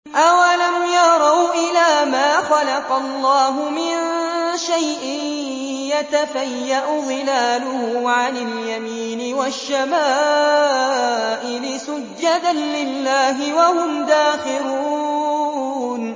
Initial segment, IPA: ʔ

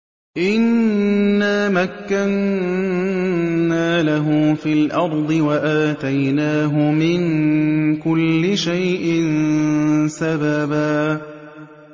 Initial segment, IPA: ʔ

